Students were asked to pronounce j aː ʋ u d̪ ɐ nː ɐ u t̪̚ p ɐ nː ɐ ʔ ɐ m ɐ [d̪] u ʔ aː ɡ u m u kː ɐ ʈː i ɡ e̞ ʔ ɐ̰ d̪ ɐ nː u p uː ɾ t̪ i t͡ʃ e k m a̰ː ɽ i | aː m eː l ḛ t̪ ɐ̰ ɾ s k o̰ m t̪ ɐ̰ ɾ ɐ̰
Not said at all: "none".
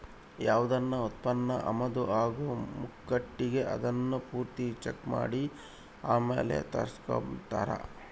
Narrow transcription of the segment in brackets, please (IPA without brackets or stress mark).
d̪